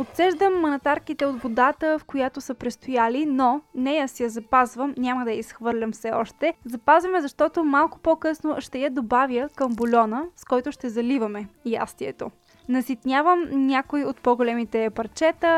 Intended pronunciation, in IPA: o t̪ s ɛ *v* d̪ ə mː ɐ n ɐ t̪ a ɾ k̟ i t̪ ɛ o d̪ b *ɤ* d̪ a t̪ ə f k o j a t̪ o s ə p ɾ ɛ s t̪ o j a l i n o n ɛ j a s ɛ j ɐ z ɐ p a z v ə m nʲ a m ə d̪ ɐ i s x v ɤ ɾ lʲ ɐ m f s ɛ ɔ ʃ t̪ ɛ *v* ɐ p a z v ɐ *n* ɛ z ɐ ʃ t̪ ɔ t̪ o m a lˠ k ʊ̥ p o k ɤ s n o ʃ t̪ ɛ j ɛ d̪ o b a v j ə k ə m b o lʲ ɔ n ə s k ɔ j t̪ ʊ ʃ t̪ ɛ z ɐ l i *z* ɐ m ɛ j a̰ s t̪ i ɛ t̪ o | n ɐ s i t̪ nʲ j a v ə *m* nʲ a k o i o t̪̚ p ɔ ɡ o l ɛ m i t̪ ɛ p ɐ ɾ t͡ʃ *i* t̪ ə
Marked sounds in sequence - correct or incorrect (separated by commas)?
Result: incorrect, incorrect, incorrect, incorrect, incorrect, correct, incorrect